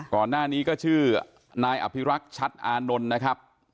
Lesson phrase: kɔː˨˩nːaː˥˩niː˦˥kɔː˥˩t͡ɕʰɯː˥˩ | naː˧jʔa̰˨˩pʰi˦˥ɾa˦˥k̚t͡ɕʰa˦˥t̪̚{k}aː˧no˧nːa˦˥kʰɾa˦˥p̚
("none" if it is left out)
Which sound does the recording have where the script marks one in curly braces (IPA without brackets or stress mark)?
ʔ